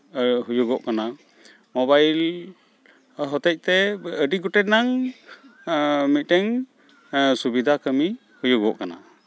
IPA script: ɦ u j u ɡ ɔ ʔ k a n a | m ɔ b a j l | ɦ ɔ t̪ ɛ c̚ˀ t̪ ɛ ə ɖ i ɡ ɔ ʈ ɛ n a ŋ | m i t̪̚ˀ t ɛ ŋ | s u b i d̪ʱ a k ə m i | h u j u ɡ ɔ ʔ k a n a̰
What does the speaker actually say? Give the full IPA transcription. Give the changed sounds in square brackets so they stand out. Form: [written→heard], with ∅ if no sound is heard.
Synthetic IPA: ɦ u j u ɡ ɔ ʔ k a n a | m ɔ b a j l | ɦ ɔ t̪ ɛ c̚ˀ t̪ ɛ ə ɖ i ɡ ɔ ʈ ɛ n a ŋ | m i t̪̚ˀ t ɛ ŋ | s u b i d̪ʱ a k ə m i | h u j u ɡ ɔ ʔ k a n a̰

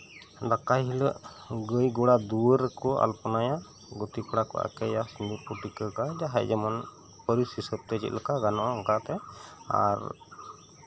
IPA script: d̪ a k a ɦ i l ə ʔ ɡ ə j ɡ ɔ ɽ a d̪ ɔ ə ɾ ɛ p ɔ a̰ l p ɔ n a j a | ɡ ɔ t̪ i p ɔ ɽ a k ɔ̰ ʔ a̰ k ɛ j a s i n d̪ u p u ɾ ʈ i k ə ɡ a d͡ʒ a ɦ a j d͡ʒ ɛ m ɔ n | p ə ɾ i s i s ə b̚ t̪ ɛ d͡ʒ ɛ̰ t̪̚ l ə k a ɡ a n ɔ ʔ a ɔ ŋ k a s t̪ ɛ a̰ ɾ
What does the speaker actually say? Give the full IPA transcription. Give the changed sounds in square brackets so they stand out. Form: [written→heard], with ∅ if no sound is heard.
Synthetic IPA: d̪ a k a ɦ i l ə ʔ ɡ ə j ɡ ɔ ɽ a d̪ [ɔ→u] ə ɾ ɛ [p→k] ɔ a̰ l p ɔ n a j a | ɡ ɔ t̪ i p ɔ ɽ a k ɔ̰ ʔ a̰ k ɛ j a s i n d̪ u p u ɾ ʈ i k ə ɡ a d͡ʒ a ɦ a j d͡ʒ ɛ m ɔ n | p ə ɾ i s i s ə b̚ t̪ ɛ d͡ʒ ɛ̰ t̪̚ l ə k a ɡ a n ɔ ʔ a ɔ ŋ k a [s→∅] t̪ ɛ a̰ ɾ

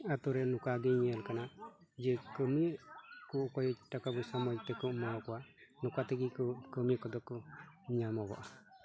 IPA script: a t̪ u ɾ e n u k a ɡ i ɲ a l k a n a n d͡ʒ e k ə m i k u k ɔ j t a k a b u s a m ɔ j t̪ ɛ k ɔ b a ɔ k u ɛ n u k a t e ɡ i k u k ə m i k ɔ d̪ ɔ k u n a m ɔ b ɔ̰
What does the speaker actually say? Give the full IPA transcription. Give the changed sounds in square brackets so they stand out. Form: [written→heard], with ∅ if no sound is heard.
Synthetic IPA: a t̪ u ɾ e n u k a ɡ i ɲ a l k a n a [n→∅] d͡ʒ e k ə m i k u k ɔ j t a k a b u s a m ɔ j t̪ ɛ k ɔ [b→m] a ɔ k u [ɛ→a] n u k a t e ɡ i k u k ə m i k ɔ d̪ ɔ k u [n→ɲ] a m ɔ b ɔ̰

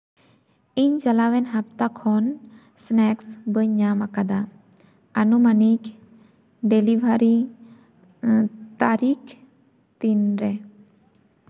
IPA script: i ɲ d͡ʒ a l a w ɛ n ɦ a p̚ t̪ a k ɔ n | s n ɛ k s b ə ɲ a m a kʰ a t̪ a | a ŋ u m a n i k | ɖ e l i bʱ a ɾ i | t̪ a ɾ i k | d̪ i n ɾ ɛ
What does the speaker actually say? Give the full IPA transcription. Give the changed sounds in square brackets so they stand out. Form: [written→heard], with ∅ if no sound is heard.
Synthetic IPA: i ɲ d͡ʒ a l a w ɛ n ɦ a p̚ t̪ a [k→kʰ] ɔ n | s n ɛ k s b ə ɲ a m a [kʰ→k] a [t̪→d̪] a | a [ŋ→n] u m a n i k | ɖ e l i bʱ a ɾ i | t̪ a ɾ i k | [d̪→t̪] i n ɾ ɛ

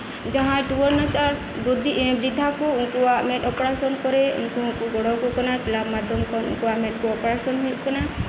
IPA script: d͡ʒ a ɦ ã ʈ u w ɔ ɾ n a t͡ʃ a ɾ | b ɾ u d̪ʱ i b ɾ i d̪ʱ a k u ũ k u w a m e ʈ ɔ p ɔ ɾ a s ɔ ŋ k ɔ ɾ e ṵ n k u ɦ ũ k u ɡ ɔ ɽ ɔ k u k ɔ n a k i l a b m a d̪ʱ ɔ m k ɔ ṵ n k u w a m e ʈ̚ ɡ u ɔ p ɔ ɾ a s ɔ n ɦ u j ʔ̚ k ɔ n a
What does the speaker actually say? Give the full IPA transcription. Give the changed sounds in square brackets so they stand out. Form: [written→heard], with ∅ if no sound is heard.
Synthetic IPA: d͡ʒ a ɦ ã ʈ u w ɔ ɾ n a t͡ʃ a ɾ | b ɾ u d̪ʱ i b ɾ i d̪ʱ a k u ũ k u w a m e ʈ ɔ p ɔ ɾ a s ɔ [ŋ→n] k ɔ ɾ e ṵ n k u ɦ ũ k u ɡ ɔ ɽ ɔ k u k ɔ n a k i l a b m a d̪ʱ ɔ m k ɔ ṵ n k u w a m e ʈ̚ [ɡ→k] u ɔ p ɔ ɾ a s ɔ n ɦ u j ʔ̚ k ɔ n a

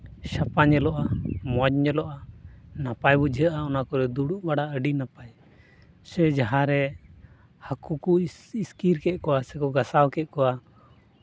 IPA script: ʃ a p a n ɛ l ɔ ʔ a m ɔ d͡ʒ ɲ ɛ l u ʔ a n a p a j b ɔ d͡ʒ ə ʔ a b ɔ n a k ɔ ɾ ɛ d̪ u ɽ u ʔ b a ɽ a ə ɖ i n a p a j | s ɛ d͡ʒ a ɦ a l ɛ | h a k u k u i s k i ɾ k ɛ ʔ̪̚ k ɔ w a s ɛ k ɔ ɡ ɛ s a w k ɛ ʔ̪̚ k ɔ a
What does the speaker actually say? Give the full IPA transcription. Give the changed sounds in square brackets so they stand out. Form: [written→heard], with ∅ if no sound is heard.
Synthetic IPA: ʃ a p a [n→ɲ] ɛ l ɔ ʔ a m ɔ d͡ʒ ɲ ɛ l [u→ɔ] ʔ a n a p a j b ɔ d͡ʒ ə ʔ a [b→∅] ɔ n a k ɔ ɾ ɛ d̪ u ɽ u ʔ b a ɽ a ə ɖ i n a p a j | s ɛ d͡ʒ a ɦ a [l→ɾ] ɛ | h a k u k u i s k i ɾ k ɛ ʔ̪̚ k ɔ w a s ɛ k ɔ ɡ [ɛ→a] s a w k ɛ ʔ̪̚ k ɔ a

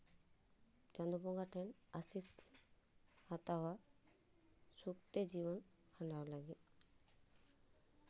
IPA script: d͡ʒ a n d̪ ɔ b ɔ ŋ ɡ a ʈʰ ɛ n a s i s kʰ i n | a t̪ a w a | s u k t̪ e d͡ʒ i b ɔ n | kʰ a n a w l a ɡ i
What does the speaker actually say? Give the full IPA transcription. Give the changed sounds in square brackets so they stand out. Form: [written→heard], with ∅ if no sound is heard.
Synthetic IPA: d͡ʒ a n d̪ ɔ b ɔ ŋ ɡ a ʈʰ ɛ n a s i s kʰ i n | a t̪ a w a | s u k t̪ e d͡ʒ i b ɔ n | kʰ a n a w l a ɡ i

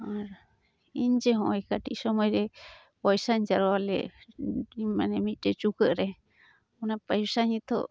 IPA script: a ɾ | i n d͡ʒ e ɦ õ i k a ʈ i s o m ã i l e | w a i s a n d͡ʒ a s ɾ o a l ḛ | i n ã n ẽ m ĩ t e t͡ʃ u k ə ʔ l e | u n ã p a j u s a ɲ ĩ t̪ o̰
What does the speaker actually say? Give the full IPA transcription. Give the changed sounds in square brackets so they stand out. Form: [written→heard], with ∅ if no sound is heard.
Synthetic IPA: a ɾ | i n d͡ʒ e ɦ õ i k a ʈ i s o m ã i [l→ɾ] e | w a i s a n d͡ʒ a [s→∅] ɾ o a l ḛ | i [n→m] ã n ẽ m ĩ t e t͡ʃ u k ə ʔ [l→ɾ] e | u n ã p a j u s a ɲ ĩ t̪ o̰

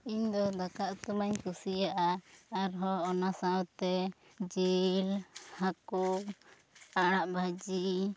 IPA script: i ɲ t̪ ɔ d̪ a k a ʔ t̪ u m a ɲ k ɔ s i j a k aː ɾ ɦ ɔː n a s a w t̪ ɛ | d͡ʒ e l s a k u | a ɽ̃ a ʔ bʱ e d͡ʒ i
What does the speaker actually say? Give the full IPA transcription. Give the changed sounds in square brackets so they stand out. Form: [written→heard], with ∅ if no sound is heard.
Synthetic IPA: i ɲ [t̪→d̪] ɔ d̪ a k a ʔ t̪ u m a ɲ k [ɔ→u] s i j a [k→ʔ] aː ɾ ɦ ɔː n a s a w t̪ ɛ | d͡ʒ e l [s→h] a k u | a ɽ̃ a ʔ bʱ [e→a] d͡ʒ i

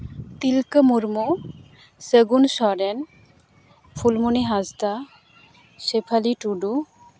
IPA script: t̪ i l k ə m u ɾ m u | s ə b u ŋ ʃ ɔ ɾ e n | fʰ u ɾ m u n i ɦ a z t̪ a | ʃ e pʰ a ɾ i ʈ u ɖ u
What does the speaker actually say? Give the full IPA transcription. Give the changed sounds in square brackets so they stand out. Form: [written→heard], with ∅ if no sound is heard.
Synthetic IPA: t̪ i l k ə m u ɾ m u | s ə [b→ɡ] u [ŋ→n] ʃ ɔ ɾ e n | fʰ u [ɾ→l] m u n i ɦ a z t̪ a | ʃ e pʰ a [ɾ→l] i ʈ u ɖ u

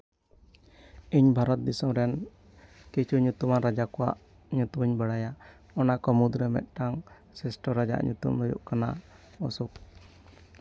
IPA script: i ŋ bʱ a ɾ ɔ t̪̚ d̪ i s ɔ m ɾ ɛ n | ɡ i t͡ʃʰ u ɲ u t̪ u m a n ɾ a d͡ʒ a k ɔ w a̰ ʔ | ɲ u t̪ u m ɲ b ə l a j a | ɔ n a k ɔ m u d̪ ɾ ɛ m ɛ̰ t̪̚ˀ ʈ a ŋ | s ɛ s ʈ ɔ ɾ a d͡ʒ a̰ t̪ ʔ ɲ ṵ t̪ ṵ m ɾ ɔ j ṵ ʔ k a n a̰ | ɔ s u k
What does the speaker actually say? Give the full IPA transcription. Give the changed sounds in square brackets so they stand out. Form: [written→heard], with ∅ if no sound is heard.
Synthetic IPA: i [ŋ→ɲ] bʱ a ɾ ɔ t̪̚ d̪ i s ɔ m ɾ ɛ n | [ɡ→k] i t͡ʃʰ u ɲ u t̪ u m a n ɾ a d͡ʒ a k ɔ w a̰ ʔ | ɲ u t̪ u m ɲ b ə [l→ɽ] a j a | ɔ n a k ɔ m u d̪ ɾ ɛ m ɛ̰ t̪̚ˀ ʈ a ŋ | s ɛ s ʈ ɔ ɾ a d͡ʒ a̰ [t̪→∅] ʔ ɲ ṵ t̪ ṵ m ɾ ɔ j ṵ ʔ k a n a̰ | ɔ s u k

